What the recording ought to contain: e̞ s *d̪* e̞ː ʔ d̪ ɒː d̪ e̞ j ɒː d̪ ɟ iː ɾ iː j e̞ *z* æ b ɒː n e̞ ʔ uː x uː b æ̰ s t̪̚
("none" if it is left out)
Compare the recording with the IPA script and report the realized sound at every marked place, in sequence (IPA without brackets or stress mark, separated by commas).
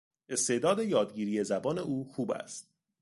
t̪, z